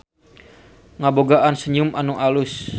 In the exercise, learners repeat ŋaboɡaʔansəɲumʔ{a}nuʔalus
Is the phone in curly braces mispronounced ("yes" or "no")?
no